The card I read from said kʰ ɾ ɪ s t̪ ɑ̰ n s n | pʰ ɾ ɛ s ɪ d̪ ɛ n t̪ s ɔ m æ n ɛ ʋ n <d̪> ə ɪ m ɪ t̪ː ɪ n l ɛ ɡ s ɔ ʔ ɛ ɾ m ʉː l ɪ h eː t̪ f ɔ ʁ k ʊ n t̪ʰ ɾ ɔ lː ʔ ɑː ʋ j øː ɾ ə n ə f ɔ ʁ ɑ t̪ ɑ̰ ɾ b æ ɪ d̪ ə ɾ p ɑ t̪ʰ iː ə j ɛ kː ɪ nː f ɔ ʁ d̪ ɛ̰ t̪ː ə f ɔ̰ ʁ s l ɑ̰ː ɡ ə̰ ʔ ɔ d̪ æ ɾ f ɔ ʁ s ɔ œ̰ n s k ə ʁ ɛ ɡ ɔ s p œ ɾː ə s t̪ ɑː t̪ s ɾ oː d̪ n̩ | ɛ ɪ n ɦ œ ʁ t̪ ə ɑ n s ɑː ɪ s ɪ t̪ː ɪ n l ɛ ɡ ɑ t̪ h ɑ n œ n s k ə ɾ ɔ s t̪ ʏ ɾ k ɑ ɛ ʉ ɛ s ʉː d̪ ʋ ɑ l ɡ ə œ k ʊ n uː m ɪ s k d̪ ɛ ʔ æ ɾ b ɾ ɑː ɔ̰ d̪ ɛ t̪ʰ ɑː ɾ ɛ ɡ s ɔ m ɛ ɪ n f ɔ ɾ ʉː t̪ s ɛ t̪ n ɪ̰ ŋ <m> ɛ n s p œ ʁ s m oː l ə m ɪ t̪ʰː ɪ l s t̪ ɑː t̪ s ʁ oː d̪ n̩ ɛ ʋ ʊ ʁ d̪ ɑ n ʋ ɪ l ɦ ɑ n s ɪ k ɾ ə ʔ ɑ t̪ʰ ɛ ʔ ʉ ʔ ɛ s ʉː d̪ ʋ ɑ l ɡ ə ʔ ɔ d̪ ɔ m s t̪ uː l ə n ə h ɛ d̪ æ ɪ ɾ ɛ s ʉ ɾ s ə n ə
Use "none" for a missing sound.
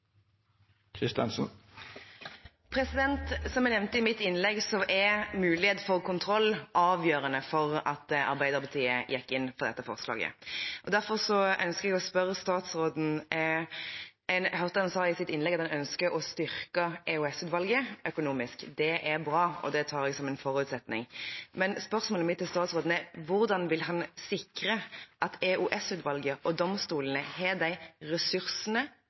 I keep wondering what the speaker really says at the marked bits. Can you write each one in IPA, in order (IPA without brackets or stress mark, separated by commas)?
t̪, m